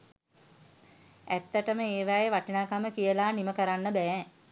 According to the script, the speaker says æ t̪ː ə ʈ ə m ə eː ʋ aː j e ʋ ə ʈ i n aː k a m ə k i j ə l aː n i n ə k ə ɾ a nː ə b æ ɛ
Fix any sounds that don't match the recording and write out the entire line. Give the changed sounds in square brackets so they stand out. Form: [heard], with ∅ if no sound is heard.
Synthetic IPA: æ t̪ː ə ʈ ə m ə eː ʋ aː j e ʋ [a] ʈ i n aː k a m ə k i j ə l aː n i [m] ə k ə ɾ a nː ə b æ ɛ